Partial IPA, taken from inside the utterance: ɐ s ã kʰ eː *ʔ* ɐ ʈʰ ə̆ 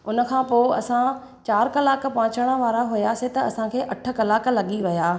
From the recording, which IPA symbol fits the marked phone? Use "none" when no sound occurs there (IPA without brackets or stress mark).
ʔ